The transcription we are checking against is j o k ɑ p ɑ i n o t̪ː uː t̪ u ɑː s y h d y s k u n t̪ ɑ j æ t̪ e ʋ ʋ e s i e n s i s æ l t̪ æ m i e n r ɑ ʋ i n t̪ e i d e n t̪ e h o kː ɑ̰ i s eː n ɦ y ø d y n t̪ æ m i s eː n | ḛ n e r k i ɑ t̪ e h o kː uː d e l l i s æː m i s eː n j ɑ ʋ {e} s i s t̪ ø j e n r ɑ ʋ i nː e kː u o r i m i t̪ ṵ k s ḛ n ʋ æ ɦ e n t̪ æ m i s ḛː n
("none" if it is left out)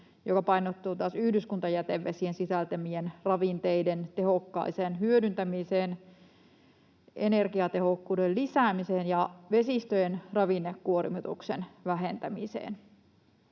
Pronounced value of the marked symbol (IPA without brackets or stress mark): e